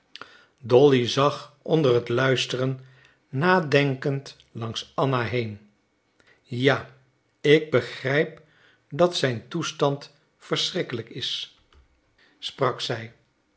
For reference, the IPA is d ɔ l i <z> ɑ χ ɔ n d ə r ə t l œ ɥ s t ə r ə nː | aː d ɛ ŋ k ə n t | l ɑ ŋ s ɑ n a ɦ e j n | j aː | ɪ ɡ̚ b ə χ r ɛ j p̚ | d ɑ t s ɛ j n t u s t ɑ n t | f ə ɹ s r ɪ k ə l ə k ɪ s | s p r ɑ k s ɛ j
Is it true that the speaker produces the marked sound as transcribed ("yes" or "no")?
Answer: yes